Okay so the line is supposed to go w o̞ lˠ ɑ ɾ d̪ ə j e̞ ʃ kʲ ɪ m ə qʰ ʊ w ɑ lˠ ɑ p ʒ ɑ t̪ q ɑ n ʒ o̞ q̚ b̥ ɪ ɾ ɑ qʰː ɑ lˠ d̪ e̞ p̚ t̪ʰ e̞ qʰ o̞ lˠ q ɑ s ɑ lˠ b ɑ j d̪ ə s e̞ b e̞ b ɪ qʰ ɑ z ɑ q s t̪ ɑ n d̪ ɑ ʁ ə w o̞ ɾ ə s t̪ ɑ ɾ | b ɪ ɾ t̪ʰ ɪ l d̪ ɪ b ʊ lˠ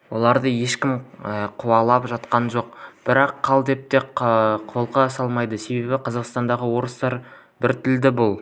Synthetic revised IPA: w o̞ lˠ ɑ ɾ d̪ ə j e̞ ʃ kʲ ɪ m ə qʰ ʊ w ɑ lˠ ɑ p ʒ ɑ t̪ q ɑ n ʒ o̞ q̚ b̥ ɪ ɾ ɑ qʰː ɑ lˠ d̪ e̞ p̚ t̪ e̞ qʰ o̞ lˠ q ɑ s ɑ lˠ m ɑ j d̪ ə s e̞ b e̞ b ɪ qʰ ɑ z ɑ q s t̪ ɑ n d̪ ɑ ʁ ə w o̞ ɾ ə s t̪ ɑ ɾ | b ɪ ɾ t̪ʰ ɪ l d̪ ɪ b ʊ lˠ